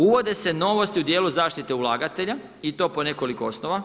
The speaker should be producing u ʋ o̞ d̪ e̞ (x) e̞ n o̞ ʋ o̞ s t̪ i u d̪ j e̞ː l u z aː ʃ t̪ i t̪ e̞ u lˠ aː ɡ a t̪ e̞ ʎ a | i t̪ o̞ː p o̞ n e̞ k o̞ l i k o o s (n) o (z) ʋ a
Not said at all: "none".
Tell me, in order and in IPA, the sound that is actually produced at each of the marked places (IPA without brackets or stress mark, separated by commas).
s, n, none